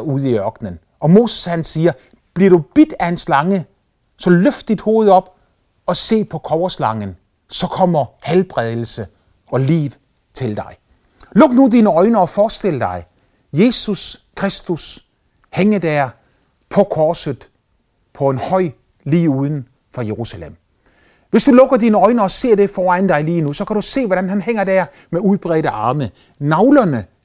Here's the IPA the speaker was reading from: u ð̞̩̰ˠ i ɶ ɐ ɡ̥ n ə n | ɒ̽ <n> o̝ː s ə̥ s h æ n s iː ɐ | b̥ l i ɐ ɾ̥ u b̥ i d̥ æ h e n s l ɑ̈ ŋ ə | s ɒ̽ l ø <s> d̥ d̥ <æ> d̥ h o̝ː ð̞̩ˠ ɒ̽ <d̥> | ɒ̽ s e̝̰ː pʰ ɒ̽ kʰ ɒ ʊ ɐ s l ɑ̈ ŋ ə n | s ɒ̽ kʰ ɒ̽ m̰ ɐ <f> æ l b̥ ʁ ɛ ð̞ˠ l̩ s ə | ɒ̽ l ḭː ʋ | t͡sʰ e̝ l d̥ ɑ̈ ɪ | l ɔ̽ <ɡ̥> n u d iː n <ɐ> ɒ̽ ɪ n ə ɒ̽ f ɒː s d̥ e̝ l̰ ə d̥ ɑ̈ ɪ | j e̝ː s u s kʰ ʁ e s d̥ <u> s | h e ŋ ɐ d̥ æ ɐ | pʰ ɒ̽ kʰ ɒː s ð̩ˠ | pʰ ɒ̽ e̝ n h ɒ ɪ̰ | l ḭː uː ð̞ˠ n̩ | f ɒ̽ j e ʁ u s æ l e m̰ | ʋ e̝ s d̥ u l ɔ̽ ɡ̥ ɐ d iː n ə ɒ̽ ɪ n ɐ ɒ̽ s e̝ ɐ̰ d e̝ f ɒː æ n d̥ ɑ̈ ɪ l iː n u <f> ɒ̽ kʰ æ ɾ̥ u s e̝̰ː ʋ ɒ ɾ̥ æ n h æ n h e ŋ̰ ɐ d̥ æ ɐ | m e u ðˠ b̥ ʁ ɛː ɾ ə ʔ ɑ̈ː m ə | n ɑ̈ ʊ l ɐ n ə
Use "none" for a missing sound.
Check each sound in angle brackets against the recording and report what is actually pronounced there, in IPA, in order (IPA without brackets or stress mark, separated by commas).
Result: m, f, i, b̥, h, ɡ̥, ə, u, s